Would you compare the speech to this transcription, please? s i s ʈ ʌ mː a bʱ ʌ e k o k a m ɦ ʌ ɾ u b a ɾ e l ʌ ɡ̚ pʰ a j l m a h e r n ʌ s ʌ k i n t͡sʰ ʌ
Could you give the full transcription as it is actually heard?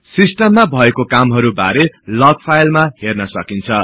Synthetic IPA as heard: s i s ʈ ʌ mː a bʱ ʌ e k o k a m ɦ ʌ ɾ u b a ɾ e l ʌ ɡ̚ pʰ a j l m a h e r n ʌ s ʌ k i n t͡sʰ ʌ